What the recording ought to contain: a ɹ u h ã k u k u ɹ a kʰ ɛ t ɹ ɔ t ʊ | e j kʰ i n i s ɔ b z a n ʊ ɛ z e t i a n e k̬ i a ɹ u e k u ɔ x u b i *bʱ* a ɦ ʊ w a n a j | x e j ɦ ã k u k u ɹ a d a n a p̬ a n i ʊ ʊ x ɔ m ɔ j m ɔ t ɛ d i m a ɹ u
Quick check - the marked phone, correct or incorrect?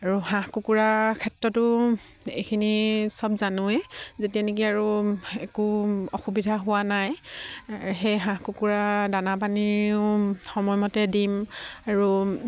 incorrect